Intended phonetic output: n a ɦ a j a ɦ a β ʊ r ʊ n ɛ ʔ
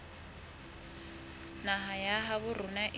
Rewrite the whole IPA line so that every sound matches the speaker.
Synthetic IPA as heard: n a ɦ a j a ɦ a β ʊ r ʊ n a ʔ

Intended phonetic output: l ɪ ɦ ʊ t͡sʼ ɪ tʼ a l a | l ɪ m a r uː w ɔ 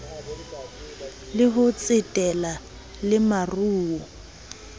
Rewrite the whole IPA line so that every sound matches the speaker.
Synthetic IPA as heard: l ɪ ɦ ʊ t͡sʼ ɪ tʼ ɛ l a | l ɪ m a r uː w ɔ

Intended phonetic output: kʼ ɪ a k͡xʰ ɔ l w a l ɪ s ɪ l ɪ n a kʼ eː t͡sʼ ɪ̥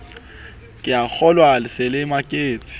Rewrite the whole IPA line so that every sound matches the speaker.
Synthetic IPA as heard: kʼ ɪ a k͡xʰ ɔ l w a l ɪ s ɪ l ɪ m a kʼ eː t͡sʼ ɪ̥

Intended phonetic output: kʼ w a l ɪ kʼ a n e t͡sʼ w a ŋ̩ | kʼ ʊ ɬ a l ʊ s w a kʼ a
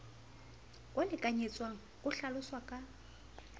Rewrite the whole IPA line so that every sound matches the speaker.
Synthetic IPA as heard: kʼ w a l ɪ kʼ a ɲ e t͡sʼ w a ŋ̩ | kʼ ʊ ɬ a l ʊ s w a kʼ a

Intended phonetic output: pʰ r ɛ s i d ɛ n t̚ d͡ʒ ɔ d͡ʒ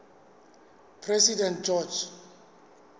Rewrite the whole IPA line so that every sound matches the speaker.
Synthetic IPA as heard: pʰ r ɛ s i d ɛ n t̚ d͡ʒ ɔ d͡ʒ

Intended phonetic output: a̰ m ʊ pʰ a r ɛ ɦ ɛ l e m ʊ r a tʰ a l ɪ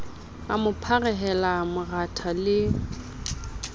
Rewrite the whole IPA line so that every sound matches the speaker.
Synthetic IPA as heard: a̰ m ʊ pʰ a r ɛ ɦ ɛ l a m ʊ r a tʰ a l ɪ

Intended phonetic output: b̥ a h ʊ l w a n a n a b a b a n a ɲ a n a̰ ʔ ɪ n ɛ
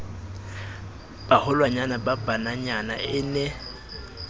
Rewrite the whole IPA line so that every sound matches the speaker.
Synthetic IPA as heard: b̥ a h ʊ l w a ɲ a n a b a b a n a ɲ a n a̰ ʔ ɪ n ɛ

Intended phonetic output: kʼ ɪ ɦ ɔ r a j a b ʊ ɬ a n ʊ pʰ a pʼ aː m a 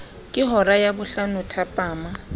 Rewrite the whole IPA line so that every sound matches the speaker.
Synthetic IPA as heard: kʼ ɪ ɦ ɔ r a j a b ʊ ɬ a n ʊ tʰ a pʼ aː m a

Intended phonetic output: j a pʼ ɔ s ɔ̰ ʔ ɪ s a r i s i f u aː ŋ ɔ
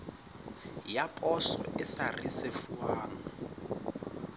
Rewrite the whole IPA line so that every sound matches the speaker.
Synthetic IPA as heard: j a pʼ ɔ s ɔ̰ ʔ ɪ s a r i s e f u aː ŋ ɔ

